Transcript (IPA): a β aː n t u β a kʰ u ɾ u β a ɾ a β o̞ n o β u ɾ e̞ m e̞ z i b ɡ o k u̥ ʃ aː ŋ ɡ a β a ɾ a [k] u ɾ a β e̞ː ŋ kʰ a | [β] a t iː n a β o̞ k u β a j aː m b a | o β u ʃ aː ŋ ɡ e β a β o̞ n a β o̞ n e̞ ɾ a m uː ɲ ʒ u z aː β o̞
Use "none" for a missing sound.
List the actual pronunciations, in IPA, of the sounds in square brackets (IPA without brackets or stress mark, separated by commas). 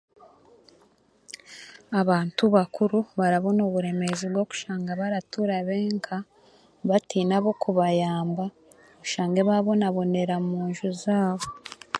t, β